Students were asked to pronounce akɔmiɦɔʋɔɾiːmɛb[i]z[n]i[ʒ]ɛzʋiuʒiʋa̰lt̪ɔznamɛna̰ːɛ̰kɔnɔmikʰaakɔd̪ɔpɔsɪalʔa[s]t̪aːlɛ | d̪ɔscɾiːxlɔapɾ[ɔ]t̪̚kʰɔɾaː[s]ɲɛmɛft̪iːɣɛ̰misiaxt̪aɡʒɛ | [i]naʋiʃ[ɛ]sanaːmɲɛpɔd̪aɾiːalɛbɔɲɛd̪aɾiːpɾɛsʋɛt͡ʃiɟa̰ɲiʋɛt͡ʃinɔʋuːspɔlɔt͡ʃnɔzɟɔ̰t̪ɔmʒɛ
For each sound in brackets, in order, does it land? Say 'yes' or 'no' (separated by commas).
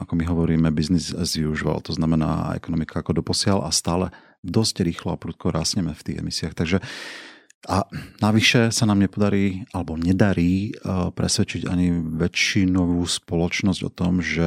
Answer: yes, yes, no, yes, no, yes, no, yes